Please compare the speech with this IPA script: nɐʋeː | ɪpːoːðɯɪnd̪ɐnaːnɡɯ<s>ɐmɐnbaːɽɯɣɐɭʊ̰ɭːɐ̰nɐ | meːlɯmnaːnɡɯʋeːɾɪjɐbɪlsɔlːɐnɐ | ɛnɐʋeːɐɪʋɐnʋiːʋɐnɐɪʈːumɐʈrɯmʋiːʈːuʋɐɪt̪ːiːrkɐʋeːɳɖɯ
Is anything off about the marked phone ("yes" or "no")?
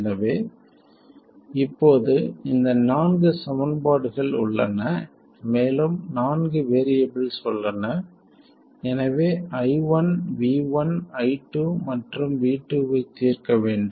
no